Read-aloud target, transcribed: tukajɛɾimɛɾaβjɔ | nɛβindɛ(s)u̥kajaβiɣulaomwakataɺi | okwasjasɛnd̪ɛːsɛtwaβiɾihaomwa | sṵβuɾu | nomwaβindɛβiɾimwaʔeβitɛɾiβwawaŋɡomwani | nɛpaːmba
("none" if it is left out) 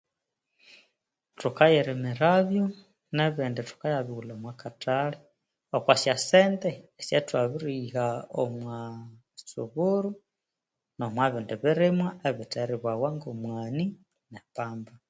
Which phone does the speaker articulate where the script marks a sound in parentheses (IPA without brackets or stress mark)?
t